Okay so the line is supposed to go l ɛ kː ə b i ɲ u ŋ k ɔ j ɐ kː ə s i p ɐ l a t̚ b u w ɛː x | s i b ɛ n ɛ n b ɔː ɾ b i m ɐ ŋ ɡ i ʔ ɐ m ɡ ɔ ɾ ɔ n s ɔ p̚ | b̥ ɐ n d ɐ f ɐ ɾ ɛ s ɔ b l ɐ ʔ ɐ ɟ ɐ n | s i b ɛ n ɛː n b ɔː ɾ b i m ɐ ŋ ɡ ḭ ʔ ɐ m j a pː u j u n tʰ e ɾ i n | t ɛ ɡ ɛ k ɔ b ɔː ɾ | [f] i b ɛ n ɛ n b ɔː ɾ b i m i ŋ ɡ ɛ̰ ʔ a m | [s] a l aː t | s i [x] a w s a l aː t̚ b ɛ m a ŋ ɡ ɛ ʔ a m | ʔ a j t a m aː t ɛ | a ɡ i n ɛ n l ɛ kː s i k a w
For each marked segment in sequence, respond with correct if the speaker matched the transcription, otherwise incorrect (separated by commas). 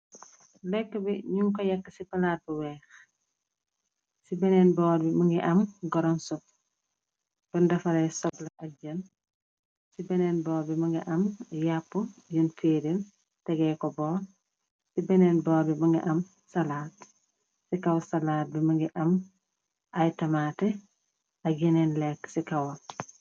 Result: incorrect, correct, incorrect